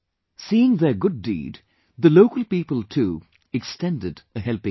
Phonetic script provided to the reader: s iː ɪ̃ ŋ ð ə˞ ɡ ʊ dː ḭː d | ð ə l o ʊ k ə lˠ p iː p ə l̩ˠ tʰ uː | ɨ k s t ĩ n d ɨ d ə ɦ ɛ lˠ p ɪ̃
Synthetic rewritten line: s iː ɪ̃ ŋ ð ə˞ ɡ ʊ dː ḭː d | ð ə l o ʊ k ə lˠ p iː p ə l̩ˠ tʰ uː | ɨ k s t ɛ̃ n d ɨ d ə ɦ ɛ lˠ p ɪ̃